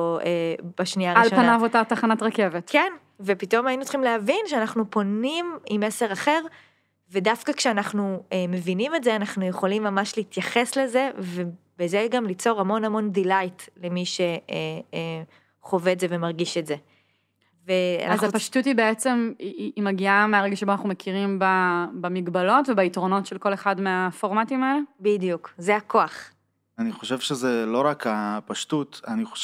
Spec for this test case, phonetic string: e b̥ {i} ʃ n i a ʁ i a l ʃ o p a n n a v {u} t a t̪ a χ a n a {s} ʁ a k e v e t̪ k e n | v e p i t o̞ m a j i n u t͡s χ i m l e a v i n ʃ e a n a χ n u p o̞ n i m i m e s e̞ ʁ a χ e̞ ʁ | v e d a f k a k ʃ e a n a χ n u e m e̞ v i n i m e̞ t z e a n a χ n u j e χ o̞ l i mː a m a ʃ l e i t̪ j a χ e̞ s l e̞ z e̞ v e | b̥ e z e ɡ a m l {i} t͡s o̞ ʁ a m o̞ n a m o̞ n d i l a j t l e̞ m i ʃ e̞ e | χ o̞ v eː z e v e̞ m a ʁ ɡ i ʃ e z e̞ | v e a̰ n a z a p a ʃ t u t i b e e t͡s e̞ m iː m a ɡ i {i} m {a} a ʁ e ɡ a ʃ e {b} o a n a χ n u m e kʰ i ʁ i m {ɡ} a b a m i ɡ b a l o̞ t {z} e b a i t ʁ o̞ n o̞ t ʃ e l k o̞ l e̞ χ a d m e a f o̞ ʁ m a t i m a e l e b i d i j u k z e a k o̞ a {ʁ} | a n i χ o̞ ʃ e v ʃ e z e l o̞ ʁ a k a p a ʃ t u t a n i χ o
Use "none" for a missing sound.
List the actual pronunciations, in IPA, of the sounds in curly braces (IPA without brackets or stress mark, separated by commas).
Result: a, o, t, i, a, e, b, b, v, χ